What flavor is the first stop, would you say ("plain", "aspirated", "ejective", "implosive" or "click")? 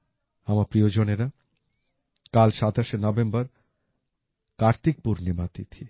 plain